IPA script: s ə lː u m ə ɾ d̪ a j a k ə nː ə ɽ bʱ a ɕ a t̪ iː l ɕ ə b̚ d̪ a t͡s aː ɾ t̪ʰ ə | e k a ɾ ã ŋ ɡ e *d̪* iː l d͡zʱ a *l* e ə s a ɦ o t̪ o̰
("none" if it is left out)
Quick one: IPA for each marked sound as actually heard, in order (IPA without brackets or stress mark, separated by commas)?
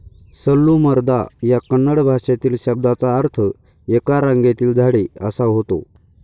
t̪, ɽ